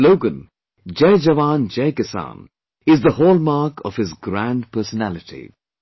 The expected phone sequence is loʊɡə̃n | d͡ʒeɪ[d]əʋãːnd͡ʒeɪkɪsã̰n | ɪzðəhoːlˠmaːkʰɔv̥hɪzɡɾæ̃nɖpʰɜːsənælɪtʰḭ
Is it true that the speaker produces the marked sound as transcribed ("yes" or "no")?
no